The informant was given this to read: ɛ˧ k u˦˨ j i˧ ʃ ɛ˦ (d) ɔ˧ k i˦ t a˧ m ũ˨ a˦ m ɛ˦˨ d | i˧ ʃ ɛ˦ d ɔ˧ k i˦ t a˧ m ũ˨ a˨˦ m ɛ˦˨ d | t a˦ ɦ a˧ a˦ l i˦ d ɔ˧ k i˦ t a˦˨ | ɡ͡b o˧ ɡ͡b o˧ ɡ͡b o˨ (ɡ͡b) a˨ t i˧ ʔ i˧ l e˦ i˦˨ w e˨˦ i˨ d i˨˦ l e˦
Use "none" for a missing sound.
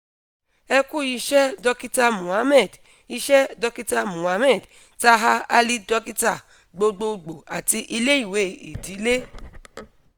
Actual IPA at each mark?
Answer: d, none

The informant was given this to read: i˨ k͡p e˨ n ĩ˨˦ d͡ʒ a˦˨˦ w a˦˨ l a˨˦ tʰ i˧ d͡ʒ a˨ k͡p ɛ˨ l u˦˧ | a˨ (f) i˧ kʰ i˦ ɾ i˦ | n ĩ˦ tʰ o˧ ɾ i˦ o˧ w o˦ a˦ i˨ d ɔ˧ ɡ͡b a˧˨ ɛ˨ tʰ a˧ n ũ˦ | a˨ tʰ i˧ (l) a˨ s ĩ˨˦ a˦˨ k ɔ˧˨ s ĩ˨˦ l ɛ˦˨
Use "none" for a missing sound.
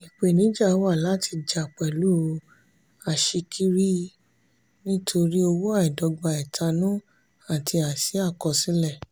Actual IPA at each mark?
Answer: ʃ, none

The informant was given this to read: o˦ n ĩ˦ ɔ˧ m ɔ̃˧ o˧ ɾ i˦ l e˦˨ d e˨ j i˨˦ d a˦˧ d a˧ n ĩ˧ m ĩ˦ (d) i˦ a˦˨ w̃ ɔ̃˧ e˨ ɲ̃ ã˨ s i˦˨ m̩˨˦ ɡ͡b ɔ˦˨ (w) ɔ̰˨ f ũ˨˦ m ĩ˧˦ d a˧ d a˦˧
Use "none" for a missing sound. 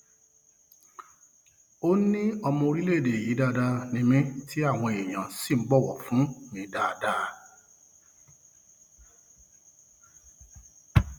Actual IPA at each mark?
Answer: t, w

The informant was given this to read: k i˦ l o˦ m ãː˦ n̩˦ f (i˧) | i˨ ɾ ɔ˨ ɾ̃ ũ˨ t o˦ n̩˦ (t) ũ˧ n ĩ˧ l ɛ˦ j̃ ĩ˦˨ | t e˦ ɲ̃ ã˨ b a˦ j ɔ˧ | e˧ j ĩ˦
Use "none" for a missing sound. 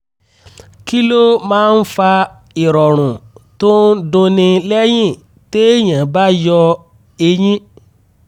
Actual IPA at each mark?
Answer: a˧, d

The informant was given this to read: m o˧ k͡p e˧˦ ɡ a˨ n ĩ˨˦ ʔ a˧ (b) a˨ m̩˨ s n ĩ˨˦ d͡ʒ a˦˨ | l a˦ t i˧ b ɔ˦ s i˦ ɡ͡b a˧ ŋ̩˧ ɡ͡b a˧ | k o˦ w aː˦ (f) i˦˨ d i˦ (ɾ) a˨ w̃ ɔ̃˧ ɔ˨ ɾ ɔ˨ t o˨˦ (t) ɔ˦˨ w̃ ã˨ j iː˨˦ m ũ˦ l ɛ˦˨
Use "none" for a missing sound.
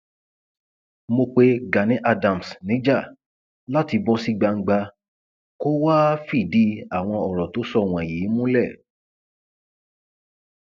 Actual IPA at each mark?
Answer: d, f, none, s

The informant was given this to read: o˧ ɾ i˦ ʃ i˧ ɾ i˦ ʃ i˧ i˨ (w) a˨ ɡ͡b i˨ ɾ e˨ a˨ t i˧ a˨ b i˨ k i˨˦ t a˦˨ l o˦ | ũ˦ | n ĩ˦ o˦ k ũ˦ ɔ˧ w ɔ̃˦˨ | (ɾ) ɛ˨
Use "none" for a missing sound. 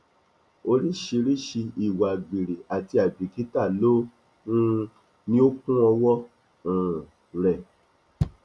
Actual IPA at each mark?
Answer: w, ɾ

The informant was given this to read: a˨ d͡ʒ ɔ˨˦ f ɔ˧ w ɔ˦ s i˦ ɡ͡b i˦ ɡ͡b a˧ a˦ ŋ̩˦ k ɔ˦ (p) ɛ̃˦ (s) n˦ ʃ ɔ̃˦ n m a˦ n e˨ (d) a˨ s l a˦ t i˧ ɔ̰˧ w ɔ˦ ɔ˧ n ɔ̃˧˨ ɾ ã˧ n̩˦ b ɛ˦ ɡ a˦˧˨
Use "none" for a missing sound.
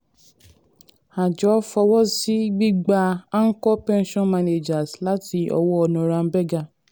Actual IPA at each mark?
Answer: p, none, d͡ʒ

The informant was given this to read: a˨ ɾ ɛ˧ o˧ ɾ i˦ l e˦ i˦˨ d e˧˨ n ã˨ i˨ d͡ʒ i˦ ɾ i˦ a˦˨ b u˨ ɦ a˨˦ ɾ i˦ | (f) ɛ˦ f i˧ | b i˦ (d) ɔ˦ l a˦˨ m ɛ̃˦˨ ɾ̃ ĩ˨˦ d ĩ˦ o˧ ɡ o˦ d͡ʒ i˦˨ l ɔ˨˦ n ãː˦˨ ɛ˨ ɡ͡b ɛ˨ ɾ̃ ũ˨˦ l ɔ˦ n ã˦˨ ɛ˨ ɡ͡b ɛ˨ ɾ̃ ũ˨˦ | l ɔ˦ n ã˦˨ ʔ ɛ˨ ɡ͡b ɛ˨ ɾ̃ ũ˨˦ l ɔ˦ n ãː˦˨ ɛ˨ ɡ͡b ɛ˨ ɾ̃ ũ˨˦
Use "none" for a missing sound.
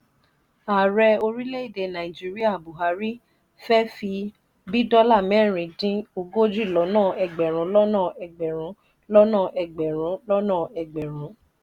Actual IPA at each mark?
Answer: f, d

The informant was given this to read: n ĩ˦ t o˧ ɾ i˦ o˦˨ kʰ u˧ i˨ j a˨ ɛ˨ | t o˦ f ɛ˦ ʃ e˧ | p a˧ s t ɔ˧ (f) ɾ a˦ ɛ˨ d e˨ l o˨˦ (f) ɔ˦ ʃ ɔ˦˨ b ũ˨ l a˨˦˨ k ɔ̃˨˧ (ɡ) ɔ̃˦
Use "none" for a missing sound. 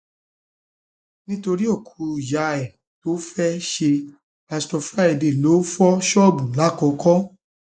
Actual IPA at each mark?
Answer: f, f, k

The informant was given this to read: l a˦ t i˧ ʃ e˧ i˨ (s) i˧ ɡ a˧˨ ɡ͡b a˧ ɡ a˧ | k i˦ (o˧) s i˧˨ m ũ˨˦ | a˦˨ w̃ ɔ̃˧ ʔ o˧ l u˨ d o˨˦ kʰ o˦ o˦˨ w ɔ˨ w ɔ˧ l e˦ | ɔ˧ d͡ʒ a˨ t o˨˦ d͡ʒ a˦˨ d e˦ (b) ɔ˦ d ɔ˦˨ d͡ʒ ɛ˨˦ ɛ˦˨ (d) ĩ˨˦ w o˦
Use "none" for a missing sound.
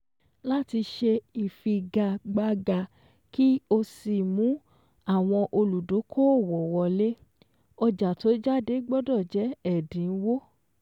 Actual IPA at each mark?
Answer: f, o˧, ɡ͡b, d

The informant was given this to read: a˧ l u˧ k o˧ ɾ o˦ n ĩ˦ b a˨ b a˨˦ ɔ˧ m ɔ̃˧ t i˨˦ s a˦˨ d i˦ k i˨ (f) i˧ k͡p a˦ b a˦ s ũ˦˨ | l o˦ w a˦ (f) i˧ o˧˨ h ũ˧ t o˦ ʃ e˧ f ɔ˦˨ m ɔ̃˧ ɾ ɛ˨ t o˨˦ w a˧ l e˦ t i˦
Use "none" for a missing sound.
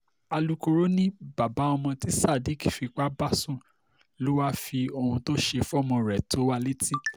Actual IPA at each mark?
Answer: f, f

